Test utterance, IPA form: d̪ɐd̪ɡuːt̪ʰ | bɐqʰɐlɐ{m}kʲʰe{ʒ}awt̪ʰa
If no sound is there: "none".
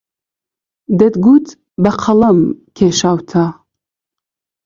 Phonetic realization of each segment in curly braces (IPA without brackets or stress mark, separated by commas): m, ʃ